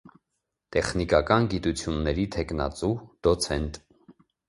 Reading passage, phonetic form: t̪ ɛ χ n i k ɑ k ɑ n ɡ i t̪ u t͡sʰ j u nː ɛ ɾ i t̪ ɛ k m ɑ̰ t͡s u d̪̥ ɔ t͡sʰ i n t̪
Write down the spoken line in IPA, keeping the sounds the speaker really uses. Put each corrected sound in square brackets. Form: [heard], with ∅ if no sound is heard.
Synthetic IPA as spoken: t̪ ɛ χ n i k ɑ k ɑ n ɡ i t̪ u t͡sʰ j u nː ɛ ɾ i [t̪ʰ] ɛ k [n] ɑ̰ t͡s u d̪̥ ɔ t͡sʰ [ɛ] n t̪